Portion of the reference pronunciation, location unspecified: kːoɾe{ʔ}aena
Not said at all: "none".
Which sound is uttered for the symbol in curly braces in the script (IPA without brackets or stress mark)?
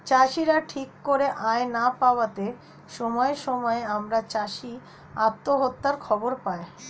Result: ʔ